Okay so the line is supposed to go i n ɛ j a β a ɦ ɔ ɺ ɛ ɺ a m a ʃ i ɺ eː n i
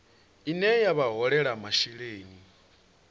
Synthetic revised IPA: i n ɛ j a β a ɦ ɔ ɺ ɛ ɺ a m a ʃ i ɺ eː n i